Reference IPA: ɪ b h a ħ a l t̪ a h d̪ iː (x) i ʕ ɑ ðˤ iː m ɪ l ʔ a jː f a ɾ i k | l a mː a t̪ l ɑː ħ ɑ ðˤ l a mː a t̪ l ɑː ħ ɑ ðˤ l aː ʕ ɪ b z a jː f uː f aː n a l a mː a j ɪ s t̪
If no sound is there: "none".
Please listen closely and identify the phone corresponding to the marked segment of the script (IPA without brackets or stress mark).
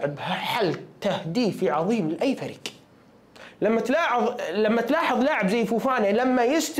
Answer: f